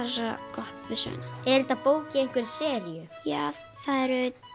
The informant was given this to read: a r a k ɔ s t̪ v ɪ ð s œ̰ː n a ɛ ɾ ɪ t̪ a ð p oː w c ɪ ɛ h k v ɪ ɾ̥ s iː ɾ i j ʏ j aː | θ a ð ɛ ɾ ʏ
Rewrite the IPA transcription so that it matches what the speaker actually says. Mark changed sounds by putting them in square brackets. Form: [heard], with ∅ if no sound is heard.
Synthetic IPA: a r a k ɔ [h] t̪ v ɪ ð s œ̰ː n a ɛ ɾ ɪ t̪ a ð p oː w c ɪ ɛ h k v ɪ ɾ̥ s [ɛː] ɾ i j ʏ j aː | θ a ð ɛ ɾ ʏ